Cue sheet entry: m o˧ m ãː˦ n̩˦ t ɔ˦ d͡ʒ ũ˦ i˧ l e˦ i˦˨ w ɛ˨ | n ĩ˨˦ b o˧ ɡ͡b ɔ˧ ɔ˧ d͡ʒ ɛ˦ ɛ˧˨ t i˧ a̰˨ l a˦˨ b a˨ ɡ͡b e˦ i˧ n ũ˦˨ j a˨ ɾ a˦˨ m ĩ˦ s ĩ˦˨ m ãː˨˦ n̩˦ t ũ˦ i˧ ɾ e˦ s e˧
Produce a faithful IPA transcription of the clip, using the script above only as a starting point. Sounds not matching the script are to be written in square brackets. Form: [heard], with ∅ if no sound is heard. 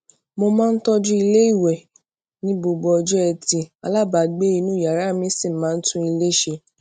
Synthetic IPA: m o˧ m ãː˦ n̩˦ t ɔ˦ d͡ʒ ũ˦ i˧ l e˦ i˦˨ w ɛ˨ | n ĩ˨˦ b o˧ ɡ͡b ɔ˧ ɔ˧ d͡ʒ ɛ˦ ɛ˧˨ t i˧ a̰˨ l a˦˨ b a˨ ɡ͡b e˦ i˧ n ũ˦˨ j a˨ ɾ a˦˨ m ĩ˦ s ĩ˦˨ m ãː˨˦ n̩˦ t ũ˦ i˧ [l] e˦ [ʃ] e˧